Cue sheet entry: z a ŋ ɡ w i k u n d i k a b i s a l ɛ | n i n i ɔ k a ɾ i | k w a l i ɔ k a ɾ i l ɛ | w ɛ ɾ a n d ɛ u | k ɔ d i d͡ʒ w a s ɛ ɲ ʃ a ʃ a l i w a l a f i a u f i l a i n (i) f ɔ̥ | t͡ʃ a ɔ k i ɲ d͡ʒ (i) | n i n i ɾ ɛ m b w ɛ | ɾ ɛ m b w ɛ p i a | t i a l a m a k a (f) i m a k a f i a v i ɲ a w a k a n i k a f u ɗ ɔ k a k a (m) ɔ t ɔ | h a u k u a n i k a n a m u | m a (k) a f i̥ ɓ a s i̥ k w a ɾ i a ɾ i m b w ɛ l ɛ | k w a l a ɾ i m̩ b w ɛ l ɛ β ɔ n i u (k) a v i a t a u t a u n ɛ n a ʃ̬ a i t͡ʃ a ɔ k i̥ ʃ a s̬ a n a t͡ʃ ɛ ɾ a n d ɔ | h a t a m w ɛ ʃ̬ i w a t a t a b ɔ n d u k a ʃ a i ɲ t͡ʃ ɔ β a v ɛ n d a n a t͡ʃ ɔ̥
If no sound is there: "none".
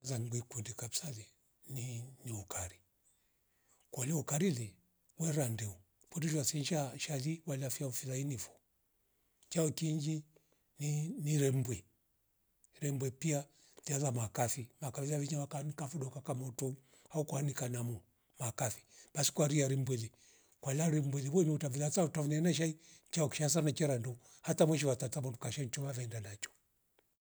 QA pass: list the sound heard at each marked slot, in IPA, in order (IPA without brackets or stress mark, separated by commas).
i, i, f, m, k, t